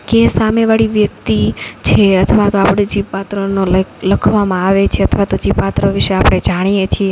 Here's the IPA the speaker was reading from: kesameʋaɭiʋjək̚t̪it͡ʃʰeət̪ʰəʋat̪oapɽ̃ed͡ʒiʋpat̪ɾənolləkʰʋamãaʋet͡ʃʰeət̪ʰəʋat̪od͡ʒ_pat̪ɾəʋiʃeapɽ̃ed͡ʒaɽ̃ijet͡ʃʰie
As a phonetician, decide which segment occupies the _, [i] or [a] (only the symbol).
i